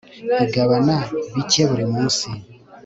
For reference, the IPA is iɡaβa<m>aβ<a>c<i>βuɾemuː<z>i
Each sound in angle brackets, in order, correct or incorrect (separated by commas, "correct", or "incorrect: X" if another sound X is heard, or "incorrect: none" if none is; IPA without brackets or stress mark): incorrect: n, incorrect: i, incorrect: e, incorrect: s